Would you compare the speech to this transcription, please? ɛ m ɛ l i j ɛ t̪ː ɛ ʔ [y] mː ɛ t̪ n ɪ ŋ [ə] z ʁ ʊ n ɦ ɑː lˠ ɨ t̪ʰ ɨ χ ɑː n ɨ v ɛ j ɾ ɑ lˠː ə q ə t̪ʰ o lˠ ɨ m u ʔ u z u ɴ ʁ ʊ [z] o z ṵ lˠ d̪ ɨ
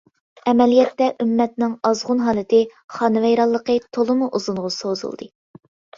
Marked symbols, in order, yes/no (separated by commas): yes, no, no